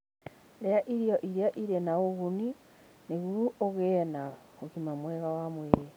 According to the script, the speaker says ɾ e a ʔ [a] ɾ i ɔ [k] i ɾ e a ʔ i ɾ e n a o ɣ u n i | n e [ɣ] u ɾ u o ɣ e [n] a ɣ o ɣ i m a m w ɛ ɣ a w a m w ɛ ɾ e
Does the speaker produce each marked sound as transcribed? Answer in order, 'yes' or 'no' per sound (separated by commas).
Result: no, no, yes, yes